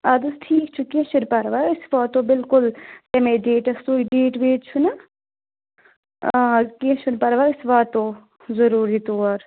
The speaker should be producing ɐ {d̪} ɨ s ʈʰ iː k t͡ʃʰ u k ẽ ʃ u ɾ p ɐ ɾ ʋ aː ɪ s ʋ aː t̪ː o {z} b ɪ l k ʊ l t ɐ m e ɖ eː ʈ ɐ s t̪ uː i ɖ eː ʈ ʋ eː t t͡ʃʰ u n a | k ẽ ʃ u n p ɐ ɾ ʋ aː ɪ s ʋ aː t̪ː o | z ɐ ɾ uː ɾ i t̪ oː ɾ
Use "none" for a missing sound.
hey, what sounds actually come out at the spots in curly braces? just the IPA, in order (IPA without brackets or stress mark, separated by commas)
d̪, none